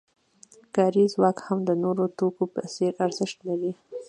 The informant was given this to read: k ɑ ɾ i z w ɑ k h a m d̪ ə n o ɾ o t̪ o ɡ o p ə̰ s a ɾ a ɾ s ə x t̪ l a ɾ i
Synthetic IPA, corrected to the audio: k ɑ ɾ i z w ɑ k h a m d̪ ə n o ɾ o t̪ o k o p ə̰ s e ɾ a ɾ z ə ʃ t̪ l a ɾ i